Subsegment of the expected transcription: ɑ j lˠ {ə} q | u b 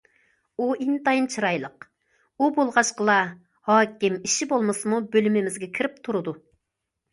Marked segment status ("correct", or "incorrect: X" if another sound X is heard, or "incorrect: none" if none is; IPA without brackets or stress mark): correct